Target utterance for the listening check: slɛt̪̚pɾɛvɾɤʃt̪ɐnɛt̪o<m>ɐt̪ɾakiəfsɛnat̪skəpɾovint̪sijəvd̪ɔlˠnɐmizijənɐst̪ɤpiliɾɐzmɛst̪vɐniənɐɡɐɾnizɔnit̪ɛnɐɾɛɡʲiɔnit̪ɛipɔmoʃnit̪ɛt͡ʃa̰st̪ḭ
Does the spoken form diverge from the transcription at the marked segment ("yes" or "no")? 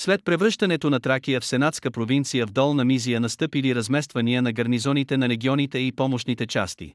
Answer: yes